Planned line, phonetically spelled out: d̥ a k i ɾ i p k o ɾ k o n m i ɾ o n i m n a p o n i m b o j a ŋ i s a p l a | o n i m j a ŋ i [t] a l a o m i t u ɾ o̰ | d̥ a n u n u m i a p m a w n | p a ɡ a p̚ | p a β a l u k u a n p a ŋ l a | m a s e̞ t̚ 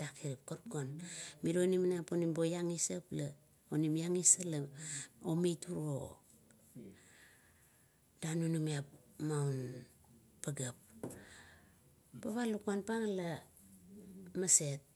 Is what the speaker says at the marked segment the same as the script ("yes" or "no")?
no